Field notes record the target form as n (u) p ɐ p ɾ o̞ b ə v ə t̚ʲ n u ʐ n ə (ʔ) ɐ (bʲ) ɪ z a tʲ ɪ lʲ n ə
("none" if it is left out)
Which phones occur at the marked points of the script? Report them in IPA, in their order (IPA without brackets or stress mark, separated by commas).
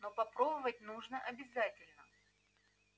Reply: o, ʔ, bʲ